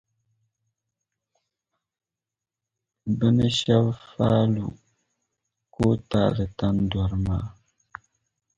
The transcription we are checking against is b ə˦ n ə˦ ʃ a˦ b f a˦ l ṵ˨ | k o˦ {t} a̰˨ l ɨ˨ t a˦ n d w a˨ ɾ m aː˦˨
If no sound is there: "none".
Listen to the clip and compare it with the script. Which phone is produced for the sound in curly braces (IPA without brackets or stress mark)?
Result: t